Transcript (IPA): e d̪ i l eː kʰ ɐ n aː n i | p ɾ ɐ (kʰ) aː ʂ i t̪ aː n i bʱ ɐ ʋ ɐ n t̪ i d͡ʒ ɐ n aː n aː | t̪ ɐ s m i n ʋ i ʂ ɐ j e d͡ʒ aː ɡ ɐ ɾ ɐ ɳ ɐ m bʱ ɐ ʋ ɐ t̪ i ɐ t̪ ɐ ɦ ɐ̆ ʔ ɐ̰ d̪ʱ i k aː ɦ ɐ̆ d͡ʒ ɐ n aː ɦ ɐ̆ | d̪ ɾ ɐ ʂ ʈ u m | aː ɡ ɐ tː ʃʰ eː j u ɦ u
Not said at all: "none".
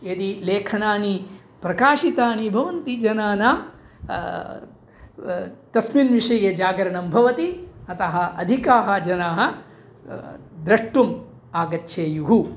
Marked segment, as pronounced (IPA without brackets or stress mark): k